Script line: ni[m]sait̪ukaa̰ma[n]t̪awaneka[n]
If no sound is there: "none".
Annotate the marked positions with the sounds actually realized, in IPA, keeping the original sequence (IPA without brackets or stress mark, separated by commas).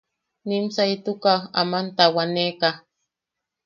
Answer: m, n, none